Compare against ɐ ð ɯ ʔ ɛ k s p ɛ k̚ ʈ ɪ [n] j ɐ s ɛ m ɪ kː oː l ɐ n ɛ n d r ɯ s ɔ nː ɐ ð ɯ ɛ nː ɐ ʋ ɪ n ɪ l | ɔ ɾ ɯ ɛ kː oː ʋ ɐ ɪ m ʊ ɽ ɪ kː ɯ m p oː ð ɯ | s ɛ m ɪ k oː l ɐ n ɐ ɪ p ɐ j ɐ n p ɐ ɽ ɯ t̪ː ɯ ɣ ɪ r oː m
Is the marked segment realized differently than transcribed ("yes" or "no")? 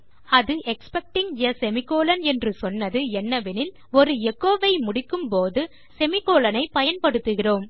yes